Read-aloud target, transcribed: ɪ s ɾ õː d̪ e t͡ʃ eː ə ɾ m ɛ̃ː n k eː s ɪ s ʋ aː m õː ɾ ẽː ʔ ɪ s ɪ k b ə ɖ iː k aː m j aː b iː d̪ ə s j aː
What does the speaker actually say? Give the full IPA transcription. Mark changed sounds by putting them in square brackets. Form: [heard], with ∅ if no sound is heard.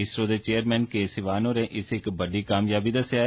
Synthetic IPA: ɪ s ɾ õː d̪ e t͡ʃ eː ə ɾ m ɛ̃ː n k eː s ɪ [∅] ʋ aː [n] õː ɾ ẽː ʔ ɪ s ɪ k b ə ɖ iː k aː m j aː b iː d̪ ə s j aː